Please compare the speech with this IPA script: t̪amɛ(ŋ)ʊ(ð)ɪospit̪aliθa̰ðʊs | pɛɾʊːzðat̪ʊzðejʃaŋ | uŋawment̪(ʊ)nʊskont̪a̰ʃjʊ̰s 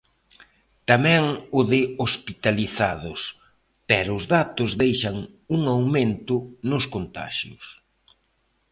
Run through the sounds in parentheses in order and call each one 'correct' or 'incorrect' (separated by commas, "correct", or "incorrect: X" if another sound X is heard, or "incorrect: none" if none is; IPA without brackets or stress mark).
correct, correct, correct